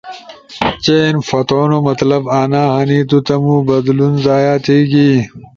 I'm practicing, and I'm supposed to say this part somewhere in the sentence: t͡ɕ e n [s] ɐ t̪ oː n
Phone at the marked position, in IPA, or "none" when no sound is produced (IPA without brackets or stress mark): f